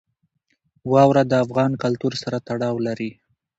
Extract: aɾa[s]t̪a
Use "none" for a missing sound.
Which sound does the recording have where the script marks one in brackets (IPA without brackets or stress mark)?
none